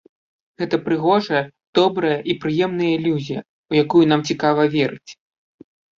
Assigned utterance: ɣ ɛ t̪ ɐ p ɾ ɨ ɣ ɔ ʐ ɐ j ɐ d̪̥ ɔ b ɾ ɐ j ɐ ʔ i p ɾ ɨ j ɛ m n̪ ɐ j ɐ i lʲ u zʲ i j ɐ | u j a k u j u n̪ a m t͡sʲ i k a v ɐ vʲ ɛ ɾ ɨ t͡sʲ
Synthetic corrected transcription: ɣ ɛ t̪ ɐ p ɾ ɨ ɣ ɔ ʐ ɐ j ɐ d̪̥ ɔ b ɾ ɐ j ɐ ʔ i p ɾ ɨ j ɛ m n̪ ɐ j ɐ i lʲ u zʲ i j ɐ | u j a k u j u n̪ a m t͡sʲ i k a v ɐ vʲ ɛ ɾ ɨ t͡sʲ